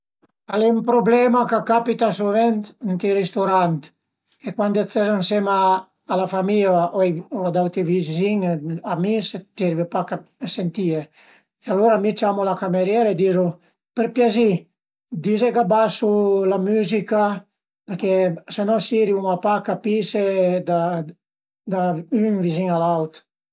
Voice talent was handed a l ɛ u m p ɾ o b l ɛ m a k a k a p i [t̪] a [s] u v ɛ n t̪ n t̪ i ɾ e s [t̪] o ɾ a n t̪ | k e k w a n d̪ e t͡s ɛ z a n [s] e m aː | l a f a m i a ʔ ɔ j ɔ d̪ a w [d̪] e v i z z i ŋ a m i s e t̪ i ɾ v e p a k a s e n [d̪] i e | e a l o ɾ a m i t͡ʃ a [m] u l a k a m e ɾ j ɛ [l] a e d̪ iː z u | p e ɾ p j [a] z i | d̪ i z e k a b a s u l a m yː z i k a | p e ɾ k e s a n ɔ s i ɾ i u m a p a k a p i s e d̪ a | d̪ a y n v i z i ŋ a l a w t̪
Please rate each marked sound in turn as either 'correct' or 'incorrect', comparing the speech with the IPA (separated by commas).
correct, correct, correct, correct, incorrect, incorrect, correct, incorrect, correct